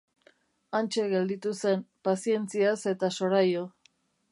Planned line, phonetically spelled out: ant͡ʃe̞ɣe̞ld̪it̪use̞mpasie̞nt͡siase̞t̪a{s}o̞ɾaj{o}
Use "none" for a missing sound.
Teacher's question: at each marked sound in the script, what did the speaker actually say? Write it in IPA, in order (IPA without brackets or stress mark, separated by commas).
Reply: s, o